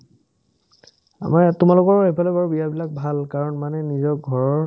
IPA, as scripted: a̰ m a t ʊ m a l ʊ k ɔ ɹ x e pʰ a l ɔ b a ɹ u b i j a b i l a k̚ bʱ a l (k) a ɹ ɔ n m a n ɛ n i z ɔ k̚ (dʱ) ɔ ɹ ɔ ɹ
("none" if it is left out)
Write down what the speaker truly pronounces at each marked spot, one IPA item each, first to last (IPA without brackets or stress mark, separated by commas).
k, ɡʱ